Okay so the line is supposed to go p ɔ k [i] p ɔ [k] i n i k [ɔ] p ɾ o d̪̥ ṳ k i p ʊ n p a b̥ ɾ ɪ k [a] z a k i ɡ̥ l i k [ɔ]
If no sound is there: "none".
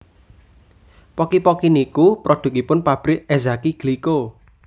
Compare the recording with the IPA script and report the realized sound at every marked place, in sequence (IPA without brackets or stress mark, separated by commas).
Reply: i, k, u, e, o